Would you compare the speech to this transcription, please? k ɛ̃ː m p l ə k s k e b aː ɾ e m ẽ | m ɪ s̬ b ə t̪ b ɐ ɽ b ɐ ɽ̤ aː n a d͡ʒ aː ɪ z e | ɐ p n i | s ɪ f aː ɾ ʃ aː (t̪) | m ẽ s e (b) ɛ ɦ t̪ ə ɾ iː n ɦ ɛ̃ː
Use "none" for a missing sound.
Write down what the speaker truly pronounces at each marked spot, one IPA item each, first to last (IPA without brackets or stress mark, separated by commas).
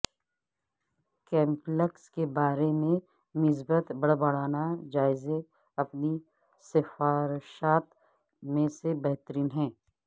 t̪, b